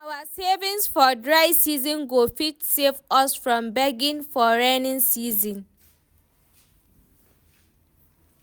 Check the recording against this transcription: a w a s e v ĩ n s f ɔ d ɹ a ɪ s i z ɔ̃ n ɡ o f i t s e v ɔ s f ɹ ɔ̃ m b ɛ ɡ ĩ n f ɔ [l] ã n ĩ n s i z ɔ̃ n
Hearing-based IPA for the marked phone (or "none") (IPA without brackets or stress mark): ɹ